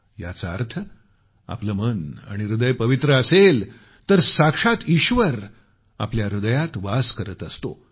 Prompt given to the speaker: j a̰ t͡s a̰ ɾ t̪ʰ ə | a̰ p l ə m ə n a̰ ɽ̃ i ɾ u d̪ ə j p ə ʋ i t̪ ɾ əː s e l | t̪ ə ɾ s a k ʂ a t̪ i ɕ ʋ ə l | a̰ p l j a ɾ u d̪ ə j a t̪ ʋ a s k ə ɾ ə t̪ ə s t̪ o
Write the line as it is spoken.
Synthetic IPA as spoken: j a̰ t͡s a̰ ɾ t̪ʰ ə | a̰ p l ə m ə n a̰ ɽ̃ i ɾ u d̪ ə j p ə ʋ i t̪ ɾ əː s e l | t̪ ə ɾ s a k ʂ a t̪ i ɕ ʋ ə ɾ | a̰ p l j a ɾ u d̪ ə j a t̪ ʋ a s k ə ɾ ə t̪ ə s t̪ o